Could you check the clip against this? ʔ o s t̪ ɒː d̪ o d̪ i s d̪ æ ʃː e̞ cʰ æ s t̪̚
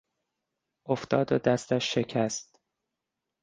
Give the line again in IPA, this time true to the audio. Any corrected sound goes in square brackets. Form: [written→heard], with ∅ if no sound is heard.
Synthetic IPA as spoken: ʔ o [s→f] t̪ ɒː d̪ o d̪ [i→æ] s [d̪→t̪] æ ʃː e̞ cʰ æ s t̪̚